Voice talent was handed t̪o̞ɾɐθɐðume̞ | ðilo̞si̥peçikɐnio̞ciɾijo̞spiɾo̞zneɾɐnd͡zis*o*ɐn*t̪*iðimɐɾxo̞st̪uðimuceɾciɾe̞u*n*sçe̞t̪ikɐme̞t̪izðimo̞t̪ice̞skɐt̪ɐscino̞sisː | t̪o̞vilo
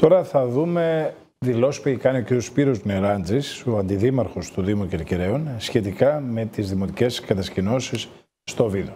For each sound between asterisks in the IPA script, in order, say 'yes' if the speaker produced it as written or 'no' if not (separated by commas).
yes, no, yes